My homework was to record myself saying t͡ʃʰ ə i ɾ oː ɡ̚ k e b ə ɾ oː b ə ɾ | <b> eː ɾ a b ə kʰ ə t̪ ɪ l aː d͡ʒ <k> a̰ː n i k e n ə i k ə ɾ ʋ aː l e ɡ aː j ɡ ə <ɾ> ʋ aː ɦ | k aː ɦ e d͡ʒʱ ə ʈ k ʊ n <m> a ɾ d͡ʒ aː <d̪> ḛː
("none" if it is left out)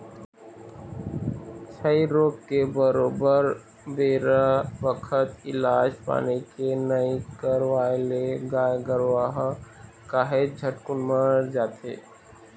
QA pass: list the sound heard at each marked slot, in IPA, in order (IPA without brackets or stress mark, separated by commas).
b, p, ɾ, m, t̪